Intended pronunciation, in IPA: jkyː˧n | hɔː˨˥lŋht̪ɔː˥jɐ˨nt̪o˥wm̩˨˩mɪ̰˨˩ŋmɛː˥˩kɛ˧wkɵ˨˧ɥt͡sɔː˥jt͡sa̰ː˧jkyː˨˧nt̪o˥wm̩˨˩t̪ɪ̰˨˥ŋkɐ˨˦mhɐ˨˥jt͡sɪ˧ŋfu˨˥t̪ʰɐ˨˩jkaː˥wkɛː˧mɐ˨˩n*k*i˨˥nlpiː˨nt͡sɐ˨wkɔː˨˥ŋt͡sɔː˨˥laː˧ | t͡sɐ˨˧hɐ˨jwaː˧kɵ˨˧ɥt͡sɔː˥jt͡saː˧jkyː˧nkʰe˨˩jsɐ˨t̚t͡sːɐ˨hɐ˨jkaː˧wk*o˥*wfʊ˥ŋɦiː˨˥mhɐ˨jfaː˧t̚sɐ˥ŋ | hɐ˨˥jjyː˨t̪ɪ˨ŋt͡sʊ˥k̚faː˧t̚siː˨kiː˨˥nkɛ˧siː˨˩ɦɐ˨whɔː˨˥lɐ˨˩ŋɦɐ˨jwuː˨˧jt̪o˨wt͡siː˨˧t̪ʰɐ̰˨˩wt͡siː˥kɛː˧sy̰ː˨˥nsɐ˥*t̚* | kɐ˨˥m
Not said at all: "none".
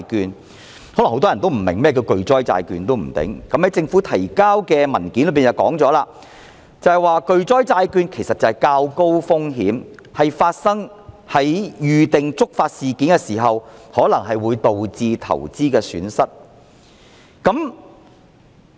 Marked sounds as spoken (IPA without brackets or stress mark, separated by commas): k, o˥, t̚